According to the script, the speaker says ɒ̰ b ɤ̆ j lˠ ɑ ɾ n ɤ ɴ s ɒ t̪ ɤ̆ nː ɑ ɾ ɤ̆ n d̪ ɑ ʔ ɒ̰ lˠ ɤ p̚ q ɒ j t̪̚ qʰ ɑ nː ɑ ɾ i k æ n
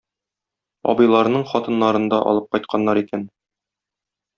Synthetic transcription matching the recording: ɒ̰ b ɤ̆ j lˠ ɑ ɾ n ɤ ɴ χ ɒ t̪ ɤ̆ nː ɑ ɾ ɤ̆ n d̪ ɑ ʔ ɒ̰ lˠ ɤ p̚ q ɒ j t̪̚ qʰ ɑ nː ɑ ɾ i k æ n